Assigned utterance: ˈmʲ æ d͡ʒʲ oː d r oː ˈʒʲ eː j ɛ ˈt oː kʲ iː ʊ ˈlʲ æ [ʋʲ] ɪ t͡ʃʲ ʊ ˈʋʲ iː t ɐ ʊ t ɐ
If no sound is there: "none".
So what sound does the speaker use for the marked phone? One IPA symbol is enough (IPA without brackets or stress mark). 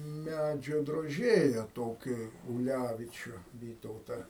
ʋʲ